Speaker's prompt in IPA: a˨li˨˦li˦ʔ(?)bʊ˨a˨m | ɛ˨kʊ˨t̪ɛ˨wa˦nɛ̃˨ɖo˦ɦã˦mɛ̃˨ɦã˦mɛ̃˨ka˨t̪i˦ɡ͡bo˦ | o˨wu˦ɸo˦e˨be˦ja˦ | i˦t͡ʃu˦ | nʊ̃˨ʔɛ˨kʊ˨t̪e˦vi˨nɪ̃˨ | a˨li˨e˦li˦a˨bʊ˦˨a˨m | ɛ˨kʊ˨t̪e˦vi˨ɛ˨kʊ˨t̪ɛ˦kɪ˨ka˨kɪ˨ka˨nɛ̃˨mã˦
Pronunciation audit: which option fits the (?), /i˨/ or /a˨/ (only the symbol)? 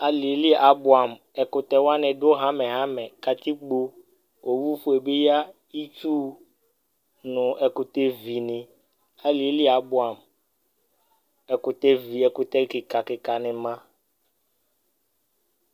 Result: a˨